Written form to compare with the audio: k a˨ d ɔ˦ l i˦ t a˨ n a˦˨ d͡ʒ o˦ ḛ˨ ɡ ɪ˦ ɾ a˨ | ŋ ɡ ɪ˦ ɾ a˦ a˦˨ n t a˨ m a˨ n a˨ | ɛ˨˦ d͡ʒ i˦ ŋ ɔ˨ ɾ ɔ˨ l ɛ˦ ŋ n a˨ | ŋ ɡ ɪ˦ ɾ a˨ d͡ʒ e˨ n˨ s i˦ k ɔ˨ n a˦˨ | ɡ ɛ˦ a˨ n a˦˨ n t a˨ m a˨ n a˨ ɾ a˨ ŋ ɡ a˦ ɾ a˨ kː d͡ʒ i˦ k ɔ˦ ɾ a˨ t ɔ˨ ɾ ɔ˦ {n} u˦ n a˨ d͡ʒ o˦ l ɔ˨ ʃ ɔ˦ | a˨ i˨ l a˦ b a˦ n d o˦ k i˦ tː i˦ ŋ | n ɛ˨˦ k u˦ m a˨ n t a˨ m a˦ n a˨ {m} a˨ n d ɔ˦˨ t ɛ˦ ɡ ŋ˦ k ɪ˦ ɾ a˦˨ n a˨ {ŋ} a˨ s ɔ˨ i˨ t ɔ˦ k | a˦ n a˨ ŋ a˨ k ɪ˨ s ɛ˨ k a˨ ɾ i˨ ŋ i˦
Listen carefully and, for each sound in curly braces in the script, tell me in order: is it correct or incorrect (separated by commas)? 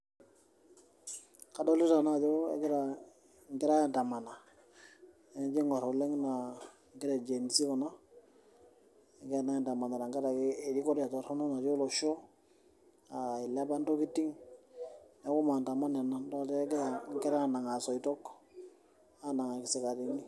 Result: correct, incorrect, correct